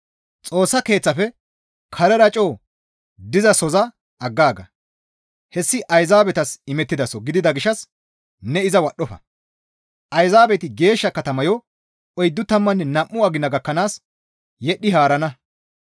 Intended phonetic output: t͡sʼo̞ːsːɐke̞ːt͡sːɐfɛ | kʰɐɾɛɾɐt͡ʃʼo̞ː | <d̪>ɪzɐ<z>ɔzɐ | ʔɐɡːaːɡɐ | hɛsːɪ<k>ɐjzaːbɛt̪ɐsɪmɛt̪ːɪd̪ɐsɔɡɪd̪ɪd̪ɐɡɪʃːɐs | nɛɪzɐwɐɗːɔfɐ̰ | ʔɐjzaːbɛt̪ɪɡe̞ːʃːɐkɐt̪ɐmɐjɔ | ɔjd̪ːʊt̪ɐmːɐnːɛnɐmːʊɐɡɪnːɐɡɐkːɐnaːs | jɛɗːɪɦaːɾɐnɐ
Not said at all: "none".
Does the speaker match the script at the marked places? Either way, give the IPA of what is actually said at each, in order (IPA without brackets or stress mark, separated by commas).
d̪, s, ʔ